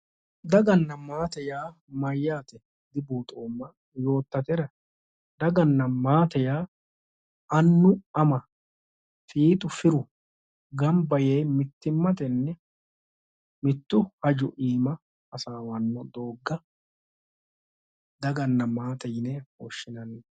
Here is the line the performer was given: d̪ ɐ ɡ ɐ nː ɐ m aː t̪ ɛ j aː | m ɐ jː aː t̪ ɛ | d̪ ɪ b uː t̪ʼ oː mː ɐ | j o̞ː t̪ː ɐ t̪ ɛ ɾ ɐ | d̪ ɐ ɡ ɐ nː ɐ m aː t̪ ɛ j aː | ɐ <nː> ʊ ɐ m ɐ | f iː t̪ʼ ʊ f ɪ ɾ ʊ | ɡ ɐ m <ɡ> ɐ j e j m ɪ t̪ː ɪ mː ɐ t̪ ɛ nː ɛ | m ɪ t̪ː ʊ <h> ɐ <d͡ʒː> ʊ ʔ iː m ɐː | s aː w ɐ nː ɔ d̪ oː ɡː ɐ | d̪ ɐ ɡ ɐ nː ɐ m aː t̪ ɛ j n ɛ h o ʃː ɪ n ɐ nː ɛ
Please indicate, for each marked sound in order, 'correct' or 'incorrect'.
correct, incorrect: b, correct, incorrect: d͡ʒ

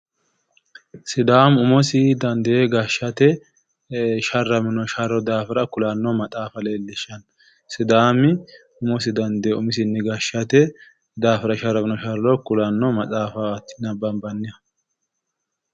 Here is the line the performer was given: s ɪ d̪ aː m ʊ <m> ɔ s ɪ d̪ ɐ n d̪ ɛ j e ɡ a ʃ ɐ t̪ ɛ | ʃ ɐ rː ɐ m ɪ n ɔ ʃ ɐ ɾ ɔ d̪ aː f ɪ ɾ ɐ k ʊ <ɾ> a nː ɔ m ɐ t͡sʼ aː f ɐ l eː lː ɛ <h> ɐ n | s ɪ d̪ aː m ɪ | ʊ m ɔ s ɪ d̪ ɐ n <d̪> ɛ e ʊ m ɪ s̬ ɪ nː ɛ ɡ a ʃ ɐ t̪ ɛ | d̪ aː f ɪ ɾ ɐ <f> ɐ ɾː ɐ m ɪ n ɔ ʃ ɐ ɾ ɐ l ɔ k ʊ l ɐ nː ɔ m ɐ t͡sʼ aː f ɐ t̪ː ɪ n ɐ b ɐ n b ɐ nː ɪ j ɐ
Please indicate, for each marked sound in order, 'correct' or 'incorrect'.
correct, incorrect: l, incorrect: ʃ, correct, incorrect: ʃ

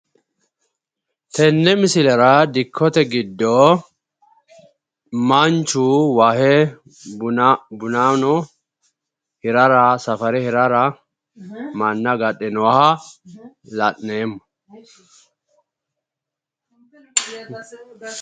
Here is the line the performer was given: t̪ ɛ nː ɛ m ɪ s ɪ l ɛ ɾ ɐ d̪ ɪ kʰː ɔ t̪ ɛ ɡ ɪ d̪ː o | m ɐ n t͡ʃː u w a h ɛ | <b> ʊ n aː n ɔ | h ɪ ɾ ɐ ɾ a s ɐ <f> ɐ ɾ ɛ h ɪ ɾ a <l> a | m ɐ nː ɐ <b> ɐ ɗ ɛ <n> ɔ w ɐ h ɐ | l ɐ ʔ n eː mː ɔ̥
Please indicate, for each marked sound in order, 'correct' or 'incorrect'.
correct, correct, incorrect: ɾ, incorrect: ɡ, correct

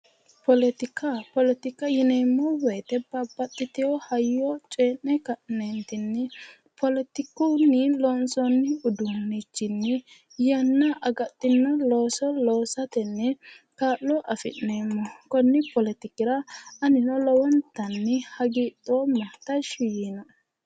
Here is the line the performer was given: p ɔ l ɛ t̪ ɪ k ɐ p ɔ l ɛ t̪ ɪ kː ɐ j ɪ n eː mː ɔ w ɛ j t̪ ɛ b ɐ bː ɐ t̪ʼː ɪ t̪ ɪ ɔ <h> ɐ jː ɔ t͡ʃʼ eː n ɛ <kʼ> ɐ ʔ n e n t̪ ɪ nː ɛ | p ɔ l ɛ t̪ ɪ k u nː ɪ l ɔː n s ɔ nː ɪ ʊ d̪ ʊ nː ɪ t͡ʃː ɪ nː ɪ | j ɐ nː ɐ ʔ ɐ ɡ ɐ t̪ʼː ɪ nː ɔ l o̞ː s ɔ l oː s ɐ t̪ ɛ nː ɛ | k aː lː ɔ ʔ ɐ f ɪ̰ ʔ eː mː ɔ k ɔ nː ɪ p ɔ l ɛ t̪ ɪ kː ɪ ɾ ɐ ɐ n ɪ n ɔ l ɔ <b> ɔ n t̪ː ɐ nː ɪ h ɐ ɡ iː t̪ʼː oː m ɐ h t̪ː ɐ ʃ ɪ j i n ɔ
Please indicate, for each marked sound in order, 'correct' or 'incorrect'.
correct, incorrect: k, incorrect: w

